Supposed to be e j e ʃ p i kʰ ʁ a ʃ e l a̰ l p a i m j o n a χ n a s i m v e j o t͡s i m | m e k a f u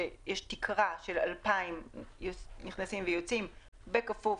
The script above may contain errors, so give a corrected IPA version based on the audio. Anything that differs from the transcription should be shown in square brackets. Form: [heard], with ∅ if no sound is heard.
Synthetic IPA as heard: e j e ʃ [t] i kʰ ʁ a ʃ e l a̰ l p a i m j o n [i] χ n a s i m v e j o t͡s i m | [b] e k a f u